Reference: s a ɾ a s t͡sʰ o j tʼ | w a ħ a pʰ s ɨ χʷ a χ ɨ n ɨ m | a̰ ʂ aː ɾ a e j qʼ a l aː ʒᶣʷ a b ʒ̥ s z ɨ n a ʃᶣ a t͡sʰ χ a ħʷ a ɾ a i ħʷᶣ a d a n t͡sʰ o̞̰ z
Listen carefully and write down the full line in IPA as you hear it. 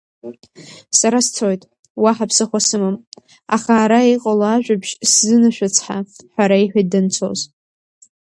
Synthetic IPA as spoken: s a ɾ a s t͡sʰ o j tʼ | w a ħ a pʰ s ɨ χʷ a s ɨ m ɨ m | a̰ χ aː ɾ a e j qʼ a l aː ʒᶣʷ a b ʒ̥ s z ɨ n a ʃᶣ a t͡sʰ ħ a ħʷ a ɾ a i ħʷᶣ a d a n t͡sʰ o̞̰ z